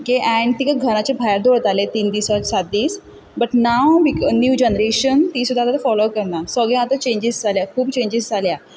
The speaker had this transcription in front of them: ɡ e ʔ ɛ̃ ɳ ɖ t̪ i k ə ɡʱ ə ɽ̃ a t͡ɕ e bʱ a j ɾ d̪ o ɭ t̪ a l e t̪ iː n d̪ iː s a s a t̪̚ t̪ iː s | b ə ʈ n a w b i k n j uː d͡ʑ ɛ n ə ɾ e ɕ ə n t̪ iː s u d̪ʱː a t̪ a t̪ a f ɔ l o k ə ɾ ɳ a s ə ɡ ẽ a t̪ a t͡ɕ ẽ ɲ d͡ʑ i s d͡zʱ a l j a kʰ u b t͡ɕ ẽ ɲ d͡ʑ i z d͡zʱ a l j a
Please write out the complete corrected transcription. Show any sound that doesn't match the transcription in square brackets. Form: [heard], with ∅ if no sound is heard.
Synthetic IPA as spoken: ɡ e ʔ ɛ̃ ɳ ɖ t̪ i k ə ɡʱ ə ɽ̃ a t͡ɕ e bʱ a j ɾ d̪ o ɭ t̪ a l e t̪ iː n d̪ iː s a s a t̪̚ [d̪] iː s | b ə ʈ n a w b i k n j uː d͡ʑ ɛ n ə ɾ e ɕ ə n t̪ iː s u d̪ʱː a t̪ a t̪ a f ɔ l o k ə ɾ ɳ a s ə ɡ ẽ a t̪ a t͡ɕ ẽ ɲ d͡ʑ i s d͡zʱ a l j a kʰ [uː] b t͡ɕ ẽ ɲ d͡ʑ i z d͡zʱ a l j a